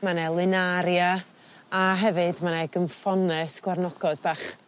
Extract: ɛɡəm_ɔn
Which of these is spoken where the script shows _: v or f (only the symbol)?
f